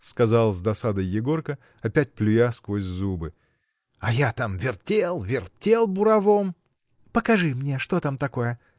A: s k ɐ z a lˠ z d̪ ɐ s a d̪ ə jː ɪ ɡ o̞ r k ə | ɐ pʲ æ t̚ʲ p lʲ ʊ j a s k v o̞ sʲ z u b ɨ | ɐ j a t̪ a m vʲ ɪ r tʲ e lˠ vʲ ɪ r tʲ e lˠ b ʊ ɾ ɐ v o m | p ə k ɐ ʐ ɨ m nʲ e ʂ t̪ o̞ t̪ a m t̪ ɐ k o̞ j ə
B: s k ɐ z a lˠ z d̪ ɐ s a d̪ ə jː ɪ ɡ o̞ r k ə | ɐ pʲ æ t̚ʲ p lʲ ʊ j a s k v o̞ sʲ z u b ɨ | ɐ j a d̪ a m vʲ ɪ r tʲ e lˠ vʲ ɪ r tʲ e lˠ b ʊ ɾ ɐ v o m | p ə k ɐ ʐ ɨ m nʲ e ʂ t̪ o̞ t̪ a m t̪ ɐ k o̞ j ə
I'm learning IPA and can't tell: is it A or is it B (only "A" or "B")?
A